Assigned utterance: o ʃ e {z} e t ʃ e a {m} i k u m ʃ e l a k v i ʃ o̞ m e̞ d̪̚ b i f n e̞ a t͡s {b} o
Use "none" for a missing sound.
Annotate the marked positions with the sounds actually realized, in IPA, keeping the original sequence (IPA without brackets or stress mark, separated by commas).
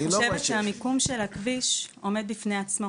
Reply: v, m, m